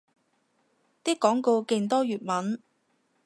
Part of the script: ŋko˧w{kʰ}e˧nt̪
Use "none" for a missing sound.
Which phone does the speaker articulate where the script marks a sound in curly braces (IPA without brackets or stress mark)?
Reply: k